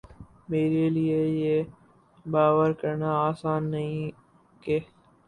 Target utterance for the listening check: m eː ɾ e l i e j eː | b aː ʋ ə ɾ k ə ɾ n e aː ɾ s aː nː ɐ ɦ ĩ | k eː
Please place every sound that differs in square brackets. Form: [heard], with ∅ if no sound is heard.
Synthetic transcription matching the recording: m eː ɾ e l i e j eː | b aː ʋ ə ɾ k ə ɾ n [a] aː [∅] s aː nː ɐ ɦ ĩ | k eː